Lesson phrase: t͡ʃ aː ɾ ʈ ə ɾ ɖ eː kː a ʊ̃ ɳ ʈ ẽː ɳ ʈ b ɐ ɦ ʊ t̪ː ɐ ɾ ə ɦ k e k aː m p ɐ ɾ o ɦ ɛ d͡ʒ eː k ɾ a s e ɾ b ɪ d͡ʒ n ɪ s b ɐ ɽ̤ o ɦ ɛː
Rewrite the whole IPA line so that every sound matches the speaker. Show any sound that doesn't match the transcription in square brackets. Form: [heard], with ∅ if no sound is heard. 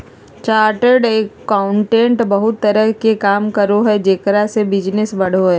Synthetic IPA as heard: t͡ʃ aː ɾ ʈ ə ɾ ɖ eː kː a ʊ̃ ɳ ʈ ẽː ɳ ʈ b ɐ ɦ ʊ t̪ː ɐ ɾ ə ɦ k e k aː m [k] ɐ ɾ o ɦ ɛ d͡ʒ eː k ɾ a s e [∅] b ɪ d͡ʒ n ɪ s b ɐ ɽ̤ o ɦ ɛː